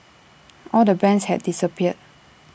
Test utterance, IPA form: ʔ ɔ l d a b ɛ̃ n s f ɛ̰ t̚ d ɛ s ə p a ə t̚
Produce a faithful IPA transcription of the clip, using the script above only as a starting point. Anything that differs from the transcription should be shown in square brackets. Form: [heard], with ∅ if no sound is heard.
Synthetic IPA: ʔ ɔ l d [ə] b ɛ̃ n s [h] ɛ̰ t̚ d [i] s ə p [i] ə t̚